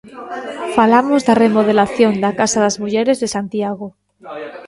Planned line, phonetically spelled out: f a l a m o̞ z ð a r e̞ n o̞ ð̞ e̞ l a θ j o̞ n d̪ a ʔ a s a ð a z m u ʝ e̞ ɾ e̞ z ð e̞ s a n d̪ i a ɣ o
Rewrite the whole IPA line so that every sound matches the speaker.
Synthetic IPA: f a l a m o̞ z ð a r e̞ m o̞ ð̞ e̞ l a θ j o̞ n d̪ a k a s a ð a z m u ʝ e̞ ɾ e̞ z ð e̞ s a n t̪ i a ɣ o